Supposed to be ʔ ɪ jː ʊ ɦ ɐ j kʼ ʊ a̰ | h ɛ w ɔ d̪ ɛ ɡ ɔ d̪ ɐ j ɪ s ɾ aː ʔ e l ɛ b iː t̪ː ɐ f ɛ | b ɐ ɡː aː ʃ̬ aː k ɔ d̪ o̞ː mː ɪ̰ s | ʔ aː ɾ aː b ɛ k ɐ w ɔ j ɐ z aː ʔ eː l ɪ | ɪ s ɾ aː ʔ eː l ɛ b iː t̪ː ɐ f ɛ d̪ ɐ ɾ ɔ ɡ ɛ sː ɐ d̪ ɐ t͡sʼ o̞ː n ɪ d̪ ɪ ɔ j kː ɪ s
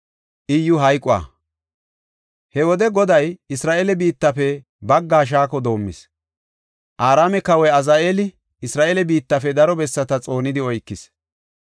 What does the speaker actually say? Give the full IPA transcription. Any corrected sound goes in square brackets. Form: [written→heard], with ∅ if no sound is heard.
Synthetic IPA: ʔ ɪ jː ʊ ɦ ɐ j kʼ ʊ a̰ | h ɛ w ɔ d̪ ɛ ɡ ɔ d̪ ɐ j ɪ s ɾ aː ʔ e l ɛ b iː t̪ː ɐ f ɛ | b ɐ ɡː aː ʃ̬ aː k ɔ d̪ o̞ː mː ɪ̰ s | ʔ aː ɾ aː [b→m] ɛ k ɐ w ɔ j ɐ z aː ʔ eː l ɪ | ɪ s ɾ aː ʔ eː l ɛ b iː t̪ː ɐ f ɛ d̪ ɐ ɾ ɔ [ɡ→b] ɛ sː ɐ [d̪→t̪] ɐ t͡sʼ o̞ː n ɪ d̪ ɪ ɔ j kː ɪ s